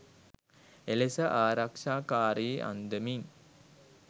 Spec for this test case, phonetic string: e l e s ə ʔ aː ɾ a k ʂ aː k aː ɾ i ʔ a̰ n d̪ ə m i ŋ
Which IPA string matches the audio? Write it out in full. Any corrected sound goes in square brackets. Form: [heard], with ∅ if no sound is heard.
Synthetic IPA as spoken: e l e s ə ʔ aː ɾ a k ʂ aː k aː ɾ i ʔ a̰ n d̪ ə m i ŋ